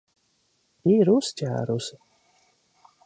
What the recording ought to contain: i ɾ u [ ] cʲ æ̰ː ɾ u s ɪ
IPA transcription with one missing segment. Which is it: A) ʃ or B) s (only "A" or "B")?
B